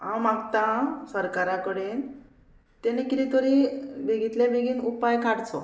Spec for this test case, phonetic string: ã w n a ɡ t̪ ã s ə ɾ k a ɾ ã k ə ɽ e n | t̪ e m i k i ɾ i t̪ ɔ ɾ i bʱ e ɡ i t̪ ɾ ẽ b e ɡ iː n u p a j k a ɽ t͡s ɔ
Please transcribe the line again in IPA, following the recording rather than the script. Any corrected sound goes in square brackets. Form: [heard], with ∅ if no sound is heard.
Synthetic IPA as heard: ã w [m] a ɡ t̪ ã s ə ɾ k a ɾ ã k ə ɽ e n | t̪ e [n] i k i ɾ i t̪ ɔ ɾ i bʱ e ɡ i t̪ [l] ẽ b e ɡ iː n u p a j k a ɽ t͡s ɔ